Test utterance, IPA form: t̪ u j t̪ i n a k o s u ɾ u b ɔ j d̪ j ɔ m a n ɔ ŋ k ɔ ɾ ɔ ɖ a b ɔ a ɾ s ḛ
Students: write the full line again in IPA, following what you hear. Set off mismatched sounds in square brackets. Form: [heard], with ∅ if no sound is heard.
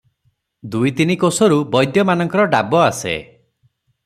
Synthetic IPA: [d̪] u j t̪ i n [i] k o s [ɔ] ɾ u b ɔ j d̪ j ɔ m a n ɔ ŋ k ɔ ɾ ɔ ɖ a b ɔ a [∅] s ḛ